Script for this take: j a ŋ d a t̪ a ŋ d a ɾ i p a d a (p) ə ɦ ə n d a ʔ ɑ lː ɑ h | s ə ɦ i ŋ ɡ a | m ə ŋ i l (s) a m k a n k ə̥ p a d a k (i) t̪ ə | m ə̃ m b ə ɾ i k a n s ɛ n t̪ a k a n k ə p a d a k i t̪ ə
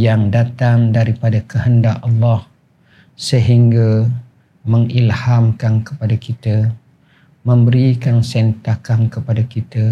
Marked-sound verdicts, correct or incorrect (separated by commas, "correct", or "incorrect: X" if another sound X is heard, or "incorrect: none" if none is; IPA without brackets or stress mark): incorrect: k, incorrect: h, correct